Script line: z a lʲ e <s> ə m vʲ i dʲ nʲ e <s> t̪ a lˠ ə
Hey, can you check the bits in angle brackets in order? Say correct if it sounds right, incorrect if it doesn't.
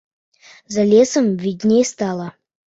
correct, correct

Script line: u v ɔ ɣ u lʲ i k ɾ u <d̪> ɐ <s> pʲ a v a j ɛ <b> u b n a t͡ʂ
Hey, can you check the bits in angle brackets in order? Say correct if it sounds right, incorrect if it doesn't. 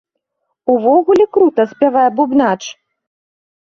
incorrect, correct, correct

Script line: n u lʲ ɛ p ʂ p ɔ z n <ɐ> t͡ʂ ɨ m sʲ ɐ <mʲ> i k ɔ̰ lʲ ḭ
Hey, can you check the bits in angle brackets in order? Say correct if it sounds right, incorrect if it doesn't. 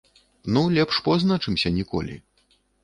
incorrect, incorrect

